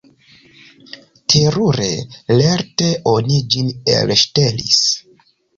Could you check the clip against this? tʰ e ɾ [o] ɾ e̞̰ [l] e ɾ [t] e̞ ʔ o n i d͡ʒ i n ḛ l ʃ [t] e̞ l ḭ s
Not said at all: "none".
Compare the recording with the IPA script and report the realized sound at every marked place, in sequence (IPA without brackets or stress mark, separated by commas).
u, l, t, t